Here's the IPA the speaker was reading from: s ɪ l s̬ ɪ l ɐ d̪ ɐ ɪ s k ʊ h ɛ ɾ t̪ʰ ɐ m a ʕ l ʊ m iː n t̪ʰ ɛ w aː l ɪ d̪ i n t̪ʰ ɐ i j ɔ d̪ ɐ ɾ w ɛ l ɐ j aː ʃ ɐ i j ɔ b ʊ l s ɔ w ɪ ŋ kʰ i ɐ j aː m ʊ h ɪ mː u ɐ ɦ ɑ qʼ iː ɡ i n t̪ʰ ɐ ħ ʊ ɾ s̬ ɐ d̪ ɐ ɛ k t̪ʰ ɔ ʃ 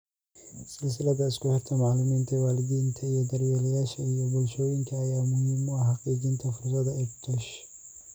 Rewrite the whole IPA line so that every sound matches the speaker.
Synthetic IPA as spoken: s ɪ l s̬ ɪ l ɐ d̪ ɐ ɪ s k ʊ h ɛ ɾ t̪ʰ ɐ m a ʕ l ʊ m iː n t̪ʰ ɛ w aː l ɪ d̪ i n t̪ʰ ɐ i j ɔ d̪ ɐ ɾ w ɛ l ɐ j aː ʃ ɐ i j ɔ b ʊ l ʃ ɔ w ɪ ŋ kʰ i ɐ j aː m ʊ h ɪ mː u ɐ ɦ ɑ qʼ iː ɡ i n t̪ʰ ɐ f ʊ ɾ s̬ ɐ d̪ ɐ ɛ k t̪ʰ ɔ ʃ

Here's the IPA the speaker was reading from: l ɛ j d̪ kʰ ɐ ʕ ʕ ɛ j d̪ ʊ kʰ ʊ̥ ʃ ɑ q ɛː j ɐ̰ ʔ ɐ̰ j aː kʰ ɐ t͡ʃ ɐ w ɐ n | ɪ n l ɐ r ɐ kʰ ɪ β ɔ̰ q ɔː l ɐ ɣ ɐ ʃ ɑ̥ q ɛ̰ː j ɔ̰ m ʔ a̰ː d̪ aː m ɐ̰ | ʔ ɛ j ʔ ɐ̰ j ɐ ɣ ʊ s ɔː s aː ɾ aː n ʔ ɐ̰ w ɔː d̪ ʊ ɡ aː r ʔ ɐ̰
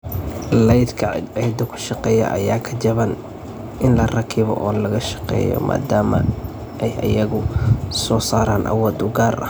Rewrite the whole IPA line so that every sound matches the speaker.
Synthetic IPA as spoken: l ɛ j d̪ kʰ ɐ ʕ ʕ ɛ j d̪ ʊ kʰ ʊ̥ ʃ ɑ q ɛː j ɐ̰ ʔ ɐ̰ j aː kʰ ɐ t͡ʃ ɐ β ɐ n | ɪ n l ɐ r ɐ kʰ ɪ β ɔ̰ ʔ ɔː l ɐ ɣ ɐ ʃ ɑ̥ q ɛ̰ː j ɔ̰ m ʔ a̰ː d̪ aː m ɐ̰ | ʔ ɛ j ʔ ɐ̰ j ɐ ɣ ʊ s ɔː s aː ɾ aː n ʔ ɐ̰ w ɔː d̪ ʊ ɡ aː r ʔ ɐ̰

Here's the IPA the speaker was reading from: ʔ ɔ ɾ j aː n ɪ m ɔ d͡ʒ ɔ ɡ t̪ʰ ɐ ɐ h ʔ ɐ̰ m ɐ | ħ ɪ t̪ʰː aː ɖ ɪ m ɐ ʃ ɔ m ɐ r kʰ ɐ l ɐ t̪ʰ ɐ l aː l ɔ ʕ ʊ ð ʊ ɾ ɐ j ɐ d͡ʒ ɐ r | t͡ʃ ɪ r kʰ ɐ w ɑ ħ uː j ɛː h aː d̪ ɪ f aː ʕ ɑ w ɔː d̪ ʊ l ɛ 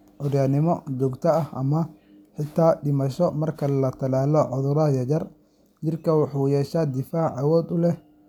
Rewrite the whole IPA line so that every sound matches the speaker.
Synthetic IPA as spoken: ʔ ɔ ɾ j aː n ɪ m ɔ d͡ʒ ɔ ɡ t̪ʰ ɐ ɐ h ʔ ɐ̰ m ɐ | ħ ɪ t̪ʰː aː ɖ ɪ m ɐ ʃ ɔ m ɐ r kʰ ɐ l ɐ t̪ʰ ɐ l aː l ɔ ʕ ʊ ð ʊ ɾ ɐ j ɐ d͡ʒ ɐ r | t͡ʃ ɪ r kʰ ɐ w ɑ ħ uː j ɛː ʃ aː d̪ ɪ f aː ʕ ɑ w ɔː d̪ ʊ l ɛ

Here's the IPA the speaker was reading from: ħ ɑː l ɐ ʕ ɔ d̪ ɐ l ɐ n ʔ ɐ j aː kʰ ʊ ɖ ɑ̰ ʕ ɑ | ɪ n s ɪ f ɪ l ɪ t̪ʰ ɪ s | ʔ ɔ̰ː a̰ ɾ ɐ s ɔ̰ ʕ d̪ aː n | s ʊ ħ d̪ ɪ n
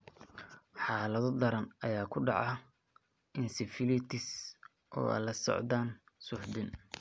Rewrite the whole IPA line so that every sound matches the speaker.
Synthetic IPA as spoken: ħ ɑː l ɐ ð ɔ d̪ ɐ ɾ ɐ n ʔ ɐ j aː kʰ ʊ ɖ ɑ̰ ʕ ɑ | ɪ n s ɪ f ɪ l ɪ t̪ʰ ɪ s | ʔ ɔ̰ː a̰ l ɐ s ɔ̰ ʕ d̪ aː n | s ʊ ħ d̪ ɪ n

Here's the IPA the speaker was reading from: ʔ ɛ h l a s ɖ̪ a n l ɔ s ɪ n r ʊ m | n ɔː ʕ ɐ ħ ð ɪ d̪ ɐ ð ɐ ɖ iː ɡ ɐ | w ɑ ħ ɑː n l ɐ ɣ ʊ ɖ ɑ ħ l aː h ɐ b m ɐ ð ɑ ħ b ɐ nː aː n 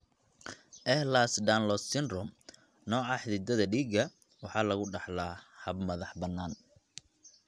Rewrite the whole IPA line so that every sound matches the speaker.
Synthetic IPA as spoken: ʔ ɛ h l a s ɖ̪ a n l ɔ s ɪ n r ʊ m | n ɔː ʕ ɑ ħ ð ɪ d̪ ɐ ð ɐ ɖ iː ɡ ɐ | w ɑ ħ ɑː l ɐ ɣ ʊ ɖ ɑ ħ l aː h ɐ b m ɐ ð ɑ ħ b ɐ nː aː n

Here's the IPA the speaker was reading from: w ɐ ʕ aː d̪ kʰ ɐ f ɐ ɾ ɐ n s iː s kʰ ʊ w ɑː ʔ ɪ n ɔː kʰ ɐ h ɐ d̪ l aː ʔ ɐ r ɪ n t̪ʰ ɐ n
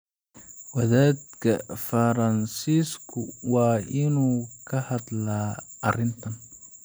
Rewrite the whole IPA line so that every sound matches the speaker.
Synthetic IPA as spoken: w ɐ ð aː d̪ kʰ ɐ f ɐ ɾ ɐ n s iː s kʰ ʊ w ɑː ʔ ɪ n uː kʰ ɐ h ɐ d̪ l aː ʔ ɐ r ɪ n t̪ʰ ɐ n

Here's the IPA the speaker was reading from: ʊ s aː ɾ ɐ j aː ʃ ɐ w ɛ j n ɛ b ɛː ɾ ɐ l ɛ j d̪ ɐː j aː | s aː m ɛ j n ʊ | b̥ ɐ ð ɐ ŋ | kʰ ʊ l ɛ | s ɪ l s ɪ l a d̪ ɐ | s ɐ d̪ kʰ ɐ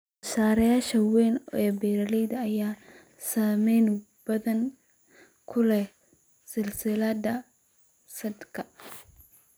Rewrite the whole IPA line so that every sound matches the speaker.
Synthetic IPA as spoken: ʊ s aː ɾ ɐ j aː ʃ ɐ w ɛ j n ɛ b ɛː ɾ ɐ l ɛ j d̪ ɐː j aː | s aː m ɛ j n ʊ | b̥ ɐ ð ɐ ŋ | kʰ ʊ l ɛ | s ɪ l s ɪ l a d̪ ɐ | s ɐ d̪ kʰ ɐ

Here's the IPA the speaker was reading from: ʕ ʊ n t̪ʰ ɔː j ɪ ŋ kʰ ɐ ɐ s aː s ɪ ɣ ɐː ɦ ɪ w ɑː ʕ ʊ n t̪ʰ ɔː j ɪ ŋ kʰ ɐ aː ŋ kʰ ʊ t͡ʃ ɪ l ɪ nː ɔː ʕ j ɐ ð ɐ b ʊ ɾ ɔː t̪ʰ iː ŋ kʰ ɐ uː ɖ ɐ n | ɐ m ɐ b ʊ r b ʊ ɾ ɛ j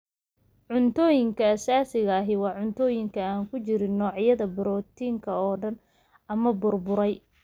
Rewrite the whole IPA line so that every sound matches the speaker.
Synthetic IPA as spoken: ʕ ʊ n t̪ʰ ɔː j ɪ ŋ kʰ ɐ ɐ s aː s ɪ ɣ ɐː ɦ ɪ w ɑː ʕ ʊ n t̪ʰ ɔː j ɪ ŋ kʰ ɐ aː ŋ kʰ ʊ t͡ʃ ɪ ɾ ɪ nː ɔː ʕ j ɐ ð ɐ b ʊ ɾ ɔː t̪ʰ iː ŋ kʰ ɐ ɔː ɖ ɐ n | ɐ m ɐ b ʊ r b ʊ ɾ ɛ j

